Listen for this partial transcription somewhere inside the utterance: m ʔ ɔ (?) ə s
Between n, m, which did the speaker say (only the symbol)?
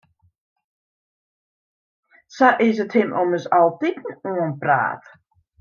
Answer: m